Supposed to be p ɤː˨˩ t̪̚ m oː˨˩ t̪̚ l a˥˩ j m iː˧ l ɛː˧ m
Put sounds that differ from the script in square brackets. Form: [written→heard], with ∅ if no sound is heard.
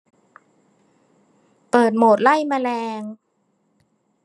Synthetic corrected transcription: p ɤː˨˩ t̪̚ m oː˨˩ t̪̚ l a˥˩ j m [iː˧→aː˧] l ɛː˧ [m→ŋ]